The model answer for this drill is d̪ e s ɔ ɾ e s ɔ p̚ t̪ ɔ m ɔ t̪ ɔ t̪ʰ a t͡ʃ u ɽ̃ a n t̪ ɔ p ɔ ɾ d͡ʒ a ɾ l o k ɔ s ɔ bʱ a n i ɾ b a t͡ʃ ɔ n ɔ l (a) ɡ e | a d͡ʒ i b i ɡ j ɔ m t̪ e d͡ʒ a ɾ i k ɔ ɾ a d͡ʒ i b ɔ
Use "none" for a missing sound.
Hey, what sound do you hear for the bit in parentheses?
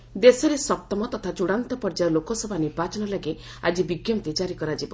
a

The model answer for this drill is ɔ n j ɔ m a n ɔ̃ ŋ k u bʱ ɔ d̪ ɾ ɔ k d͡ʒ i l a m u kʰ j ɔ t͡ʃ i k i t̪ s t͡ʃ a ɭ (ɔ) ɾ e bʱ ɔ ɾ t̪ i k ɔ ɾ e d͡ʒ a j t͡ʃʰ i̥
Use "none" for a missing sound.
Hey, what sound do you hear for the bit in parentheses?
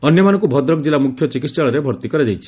ɔ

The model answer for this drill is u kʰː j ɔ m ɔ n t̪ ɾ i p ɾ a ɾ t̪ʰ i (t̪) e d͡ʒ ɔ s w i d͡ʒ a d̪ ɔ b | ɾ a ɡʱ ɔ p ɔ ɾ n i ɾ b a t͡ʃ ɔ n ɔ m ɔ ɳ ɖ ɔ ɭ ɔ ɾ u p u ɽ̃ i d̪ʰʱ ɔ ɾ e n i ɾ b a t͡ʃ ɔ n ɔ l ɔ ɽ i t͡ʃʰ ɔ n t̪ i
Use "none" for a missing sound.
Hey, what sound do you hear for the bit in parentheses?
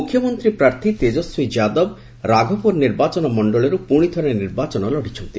t̪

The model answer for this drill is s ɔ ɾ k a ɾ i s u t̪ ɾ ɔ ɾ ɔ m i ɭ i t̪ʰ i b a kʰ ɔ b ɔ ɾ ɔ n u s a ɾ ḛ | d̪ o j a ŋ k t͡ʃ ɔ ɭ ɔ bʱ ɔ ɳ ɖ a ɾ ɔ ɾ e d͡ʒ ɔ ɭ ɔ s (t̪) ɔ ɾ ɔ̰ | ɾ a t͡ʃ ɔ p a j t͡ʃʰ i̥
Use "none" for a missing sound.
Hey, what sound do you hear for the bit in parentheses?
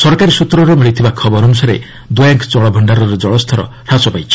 t̪ʰ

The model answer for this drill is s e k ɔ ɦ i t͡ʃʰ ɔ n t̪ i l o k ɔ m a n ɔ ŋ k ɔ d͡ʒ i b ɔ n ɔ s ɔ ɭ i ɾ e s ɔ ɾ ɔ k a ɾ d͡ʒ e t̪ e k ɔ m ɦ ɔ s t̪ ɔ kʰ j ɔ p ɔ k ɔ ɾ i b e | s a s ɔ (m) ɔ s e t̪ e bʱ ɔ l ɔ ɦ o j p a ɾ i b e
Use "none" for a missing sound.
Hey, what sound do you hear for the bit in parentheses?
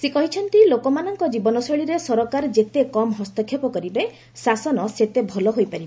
n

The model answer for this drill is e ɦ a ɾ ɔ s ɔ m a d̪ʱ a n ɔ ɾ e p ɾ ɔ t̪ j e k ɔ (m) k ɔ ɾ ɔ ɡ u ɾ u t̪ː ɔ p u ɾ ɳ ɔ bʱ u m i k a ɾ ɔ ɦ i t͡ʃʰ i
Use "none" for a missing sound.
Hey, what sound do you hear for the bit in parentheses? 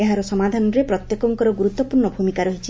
ŋ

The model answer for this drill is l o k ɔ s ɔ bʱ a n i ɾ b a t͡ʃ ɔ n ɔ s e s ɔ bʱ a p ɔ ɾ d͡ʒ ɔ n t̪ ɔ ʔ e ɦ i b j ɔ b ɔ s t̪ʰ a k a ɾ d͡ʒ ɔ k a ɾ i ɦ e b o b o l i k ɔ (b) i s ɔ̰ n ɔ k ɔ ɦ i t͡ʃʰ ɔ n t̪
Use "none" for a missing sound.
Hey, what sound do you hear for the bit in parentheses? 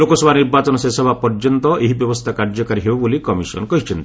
m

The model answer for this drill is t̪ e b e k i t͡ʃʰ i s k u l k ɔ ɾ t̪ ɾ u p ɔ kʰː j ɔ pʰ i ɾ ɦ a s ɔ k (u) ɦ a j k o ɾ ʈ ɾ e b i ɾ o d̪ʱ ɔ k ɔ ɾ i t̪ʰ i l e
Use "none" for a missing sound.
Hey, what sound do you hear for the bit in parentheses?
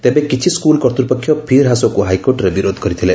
u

